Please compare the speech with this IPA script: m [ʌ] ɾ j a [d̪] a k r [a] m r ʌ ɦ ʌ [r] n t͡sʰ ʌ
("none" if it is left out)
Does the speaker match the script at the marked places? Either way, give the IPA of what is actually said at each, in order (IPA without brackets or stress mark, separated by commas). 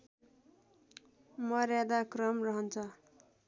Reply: ʌ, d̪, ʌ, none